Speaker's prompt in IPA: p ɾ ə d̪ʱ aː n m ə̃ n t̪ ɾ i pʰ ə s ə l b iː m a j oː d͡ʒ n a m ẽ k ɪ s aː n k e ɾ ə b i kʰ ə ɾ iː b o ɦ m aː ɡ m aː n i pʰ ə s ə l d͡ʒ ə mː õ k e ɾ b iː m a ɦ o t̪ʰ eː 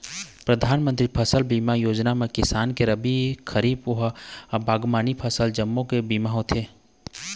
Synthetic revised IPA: p ɾ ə d̪ʱ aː n m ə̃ n t̪ ɾ i pʰ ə s ə l b iː m a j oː d͡ʒ n a m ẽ k ɪ s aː n k e ɾ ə b i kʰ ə ɾ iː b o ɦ b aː ɡ m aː n i pʰ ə s ə l d͡ʒ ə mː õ k e b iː m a ɦ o t̪ʰ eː